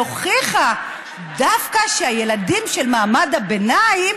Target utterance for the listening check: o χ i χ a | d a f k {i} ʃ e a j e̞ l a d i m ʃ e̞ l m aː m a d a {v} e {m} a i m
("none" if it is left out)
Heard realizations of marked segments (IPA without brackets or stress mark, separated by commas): a, b, n